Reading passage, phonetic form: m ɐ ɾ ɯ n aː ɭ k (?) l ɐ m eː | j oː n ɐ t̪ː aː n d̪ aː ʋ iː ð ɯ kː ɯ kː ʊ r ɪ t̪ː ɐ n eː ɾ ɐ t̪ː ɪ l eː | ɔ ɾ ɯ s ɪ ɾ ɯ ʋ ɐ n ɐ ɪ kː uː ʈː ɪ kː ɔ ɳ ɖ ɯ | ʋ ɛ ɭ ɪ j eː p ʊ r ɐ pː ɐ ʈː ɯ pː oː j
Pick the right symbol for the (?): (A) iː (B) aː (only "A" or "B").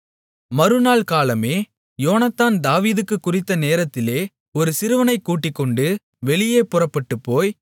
B